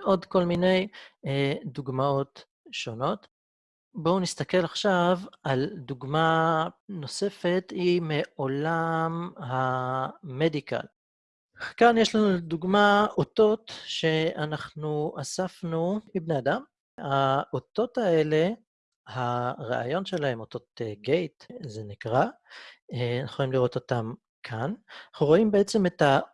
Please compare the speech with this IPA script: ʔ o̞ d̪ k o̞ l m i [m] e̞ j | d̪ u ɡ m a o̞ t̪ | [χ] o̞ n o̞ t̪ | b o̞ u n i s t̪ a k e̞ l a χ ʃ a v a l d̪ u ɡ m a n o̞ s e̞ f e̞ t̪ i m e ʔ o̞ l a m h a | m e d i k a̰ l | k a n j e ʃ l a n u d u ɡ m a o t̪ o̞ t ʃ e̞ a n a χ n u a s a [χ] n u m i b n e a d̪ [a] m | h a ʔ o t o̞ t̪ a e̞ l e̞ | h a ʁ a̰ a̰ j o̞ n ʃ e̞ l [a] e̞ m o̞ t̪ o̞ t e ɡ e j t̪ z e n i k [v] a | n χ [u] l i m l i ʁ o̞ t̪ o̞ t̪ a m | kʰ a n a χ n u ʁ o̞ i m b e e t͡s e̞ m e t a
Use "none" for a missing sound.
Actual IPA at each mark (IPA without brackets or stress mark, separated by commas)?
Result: n, ʃ, f, a, a, ʁ, o